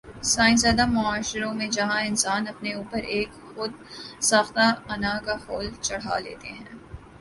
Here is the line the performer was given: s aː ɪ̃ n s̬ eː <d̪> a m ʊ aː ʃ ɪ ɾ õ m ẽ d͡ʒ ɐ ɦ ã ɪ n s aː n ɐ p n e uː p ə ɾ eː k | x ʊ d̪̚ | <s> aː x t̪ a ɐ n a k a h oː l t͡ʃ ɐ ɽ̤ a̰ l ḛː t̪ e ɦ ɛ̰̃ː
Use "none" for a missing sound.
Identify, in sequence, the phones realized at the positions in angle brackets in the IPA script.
d̪, s

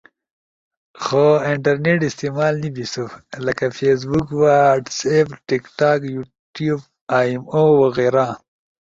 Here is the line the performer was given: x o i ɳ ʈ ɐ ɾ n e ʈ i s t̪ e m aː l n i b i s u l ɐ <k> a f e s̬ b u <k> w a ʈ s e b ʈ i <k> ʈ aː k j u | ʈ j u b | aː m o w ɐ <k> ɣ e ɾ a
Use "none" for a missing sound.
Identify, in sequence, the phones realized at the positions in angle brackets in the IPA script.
k, k, k, none

